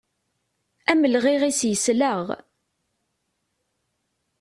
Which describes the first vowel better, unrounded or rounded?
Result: unrounded